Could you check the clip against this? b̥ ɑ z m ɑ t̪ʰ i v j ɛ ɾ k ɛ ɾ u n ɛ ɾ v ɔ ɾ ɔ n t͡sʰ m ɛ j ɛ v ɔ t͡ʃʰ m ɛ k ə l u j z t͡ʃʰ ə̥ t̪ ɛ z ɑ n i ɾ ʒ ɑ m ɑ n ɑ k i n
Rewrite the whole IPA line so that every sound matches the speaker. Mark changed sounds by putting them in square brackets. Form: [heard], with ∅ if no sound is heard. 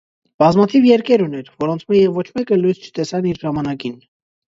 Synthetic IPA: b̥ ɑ z m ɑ t̪ʰ i v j ɛ ɾ k ɛ ɾ u n ɛ ɾ v ɔ ɾ ɔ n t͡sʰ m ɛ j ɛ v ɔ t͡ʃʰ m ɛ k ə l u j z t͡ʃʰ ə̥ t̪ ɛ [s] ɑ n i ɾ ʒ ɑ m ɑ n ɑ k i n

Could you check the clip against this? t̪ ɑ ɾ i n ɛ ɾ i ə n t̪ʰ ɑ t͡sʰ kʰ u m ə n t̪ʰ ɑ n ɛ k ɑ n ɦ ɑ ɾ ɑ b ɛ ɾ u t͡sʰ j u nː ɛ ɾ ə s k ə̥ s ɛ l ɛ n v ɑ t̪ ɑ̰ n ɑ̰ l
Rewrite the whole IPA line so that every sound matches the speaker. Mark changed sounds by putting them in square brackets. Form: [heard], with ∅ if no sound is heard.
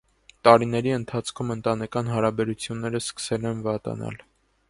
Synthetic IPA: t̪ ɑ ɾ i n ɛ ɾ i ə n t̪ʰ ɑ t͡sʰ kʰ u m ə n [t̪] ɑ n ɛ k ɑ n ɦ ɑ ɾ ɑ b ɛ ɾ u t͡sʰ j u nː ɛ ɾ ə s k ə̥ s ɛ l ɛ n v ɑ t̪ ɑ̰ n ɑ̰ l

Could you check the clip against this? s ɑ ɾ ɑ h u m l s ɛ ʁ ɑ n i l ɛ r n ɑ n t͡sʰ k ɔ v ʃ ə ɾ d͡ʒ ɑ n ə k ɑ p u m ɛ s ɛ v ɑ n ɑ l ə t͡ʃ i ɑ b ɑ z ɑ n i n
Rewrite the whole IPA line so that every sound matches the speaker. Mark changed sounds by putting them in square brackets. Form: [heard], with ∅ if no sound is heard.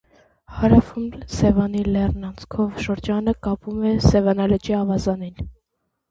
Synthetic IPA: [h] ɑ ɾ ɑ [f] u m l s ɛ [v] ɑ n i l ɛ r n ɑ n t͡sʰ [kʰ] ɔ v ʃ ə ɾ d͡ʒ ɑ n ə k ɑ p u m ɛ s ɛ v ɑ n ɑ l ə t͡ʃ i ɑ [v] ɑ z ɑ n i n

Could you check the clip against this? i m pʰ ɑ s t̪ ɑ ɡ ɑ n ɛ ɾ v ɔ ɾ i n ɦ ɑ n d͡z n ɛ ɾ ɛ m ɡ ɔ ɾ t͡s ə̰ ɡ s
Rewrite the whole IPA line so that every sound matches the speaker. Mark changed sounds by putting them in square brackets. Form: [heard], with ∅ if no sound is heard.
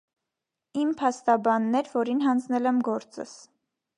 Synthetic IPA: i m pʰ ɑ s t̪ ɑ [b] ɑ [nː] ɛ ɾ v ɔ ɾ i n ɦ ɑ n d͡z n ɛ [l] ɛ m ɡ ɔ ɾ t͡s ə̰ [∅] s

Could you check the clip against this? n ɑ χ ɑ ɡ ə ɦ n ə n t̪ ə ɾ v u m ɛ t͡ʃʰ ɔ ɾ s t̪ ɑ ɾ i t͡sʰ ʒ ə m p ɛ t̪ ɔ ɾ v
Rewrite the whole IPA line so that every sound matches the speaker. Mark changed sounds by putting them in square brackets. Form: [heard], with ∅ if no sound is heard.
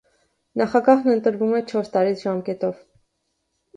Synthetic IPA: n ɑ χ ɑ ɡ [ɑ] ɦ n ə n t̪ ə ɾ v u m ɛ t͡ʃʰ ɔ ɾ s t̪ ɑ ɾ i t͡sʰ ʒ [ɑ] m [k] ɛ t̪ ɔ [∅] v

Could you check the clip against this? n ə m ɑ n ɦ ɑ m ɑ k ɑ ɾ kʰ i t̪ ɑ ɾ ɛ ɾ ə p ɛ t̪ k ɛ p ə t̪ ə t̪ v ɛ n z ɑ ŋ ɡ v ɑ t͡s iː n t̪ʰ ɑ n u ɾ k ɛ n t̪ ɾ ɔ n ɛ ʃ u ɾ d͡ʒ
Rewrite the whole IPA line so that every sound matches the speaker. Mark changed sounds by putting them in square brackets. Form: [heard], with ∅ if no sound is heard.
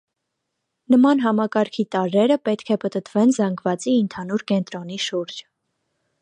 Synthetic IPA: n ə m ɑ n ɦ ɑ m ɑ k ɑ ɾ kʰ i t̪ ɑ ɾ ɛ ɾ ə p ɛ t̪ [kʰ] ɛ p ə t̪ ə t̪ v ɛ n z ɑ ŋ ɡ v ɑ t͡s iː n t̪ʰ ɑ n u ɾ k ɛ n t̪ ɾ ɔ n [i] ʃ u ɾ d͡ʒ

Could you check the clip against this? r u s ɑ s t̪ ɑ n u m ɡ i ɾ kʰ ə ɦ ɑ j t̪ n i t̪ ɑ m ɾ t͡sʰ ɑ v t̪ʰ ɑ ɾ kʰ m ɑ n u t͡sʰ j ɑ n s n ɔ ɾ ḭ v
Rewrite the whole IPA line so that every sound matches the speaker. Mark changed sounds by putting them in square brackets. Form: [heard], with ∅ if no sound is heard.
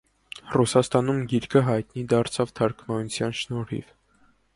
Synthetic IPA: r u s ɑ s t̪ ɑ n u m ɡ i ɾ kʰ ə ɦ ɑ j t̪ n i [d̪] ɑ [∅] ɾ t͡sʰ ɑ v t̪ʰ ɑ ɾ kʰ m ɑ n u t͡sʰ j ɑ n [ʃ] n ɔ ɾ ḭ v

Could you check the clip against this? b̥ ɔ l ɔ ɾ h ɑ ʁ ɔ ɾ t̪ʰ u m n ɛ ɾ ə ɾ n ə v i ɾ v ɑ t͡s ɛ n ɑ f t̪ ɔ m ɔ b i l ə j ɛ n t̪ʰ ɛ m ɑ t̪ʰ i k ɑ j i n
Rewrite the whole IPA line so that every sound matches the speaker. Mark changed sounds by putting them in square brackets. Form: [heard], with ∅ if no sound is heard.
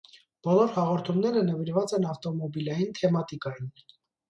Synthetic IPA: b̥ ɔ l ɔ ɾ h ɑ ʁ ɔ ɾ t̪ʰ u m n ɛ ɾ ə [∅] n ə v i ɾ v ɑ t͡s ɛ n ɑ f t̪ ɔ m ɔ b i l [ɑ] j [i] n t̪ʰ ɛ m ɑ [t̪] i k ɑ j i n

